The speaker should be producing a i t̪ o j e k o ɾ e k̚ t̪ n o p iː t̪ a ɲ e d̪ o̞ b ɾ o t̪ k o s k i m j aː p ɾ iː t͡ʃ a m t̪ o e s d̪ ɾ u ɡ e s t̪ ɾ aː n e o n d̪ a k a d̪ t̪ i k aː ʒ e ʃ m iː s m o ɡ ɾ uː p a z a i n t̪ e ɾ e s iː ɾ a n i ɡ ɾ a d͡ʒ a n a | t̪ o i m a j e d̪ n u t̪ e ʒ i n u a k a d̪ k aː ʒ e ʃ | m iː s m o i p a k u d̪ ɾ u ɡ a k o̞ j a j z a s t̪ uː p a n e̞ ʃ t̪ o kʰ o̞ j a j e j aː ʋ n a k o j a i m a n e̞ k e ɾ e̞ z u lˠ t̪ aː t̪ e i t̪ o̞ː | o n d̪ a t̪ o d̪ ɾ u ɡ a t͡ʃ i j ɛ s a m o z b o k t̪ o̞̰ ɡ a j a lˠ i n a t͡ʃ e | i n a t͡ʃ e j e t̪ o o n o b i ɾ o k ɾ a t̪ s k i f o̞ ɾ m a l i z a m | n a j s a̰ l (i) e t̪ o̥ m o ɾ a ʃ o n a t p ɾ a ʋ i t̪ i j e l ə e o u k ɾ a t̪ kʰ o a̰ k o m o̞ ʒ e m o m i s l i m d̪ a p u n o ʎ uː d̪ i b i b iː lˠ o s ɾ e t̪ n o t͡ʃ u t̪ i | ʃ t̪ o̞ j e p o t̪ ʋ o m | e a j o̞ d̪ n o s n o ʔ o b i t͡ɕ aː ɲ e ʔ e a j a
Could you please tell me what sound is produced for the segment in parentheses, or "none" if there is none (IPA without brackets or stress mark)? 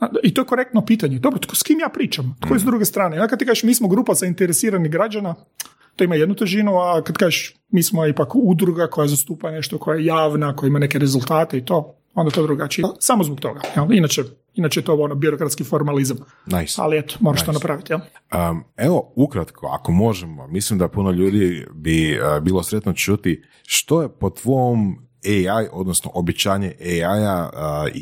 i